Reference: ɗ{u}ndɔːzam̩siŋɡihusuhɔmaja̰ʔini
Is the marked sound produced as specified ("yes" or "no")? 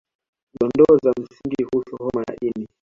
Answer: no